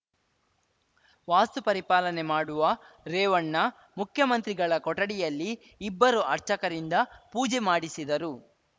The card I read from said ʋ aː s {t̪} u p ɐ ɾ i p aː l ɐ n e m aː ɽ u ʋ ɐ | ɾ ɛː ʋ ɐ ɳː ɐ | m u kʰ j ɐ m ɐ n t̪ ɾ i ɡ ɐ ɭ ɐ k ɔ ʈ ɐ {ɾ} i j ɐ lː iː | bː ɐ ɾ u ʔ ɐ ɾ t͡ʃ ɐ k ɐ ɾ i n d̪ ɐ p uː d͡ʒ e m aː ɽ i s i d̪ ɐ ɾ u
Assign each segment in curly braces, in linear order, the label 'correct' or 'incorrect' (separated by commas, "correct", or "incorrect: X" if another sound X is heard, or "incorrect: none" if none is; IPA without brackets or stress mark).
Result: correct, incorrect: ɽ